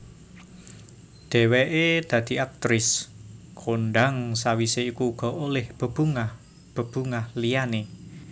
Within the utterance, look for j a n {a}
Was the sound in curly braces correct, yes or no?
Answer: no